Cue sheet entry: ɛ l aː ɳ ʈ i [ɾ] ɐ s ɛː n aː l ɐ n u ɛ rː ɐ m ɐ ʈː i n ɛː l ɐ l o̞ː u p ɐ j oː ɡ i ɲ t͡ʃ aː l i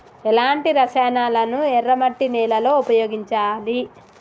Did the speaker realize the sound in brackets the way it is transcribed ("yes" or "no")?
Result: yes